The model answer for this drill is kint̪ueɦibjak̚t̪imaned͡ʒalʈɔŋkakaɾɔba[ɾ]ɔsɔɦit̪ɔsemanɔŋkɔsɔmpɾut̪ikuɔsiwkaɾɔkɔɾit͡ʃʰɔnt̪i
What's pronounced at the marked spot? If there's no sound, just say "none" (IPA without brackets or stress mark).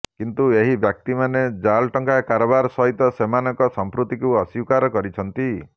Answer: ɾ